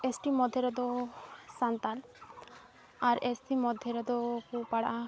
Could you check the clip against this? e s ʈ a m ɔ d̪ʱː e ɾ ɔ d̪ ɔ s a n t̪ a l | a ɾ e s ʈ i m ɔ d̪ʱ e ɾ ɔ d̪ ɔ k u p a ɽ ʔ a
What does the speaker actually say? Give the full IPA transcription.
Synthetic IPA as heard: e s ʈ i m ɔ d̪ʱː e ɾ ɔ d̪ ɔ s a n t̪ a l | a ɾ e s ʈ i m ɔ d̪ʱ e ɾ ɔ d̪ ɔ k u p a ɽ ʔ a